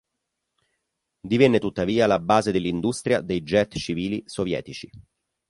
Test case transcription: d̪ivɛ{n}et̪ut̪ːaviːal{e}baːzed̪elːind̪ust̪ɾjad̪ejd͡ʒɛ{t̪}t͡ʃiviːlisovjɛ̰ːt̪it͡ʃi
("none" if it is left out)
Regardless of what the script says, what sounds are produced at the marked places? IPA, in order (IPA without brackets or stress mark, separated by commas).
nː, a, t̪